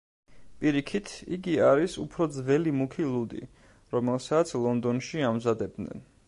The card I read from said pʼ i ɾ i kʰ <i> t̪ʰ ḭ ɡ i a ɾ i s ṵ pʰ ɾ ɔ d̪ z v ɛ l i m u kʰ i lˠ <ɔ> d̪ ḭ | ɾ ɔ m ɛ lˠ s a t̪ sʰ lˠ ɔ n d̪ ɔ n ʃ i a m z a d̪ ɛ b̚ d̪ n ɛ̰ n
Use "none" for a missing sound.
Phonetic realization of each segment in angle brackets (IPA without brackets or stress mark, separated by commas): i, u